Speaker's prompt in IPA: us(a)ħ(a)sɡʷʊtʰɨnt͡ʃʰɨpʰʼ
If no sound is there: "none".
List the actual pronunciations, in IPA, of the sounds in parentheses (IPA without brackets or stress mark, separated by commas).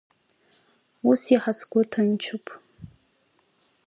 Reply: i, a